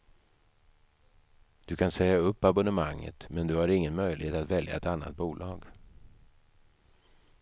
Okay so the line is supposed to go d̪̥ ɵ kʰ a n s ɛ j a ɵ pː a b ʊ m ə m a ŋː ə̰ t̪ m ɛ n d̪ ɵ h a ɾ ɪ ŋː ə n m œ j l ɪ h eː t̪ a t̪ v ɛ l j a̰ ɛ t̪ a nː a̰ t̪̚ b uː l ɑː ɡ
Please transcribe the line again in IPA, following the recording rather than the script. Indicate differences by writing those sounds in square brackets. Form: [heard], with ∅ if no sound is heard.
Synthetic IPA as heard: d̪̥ ɵ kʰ a n s ɛ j a ɵ pː a b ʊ [n] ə m a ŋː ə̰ t̪ m ɛ n d̪ ɵ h a ɾ ɪ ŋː ə n m œ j l ɪ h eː t̪ a t̪ v ɛ l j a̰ ɛ t̪ a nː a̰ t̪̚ b uː l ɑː ɡ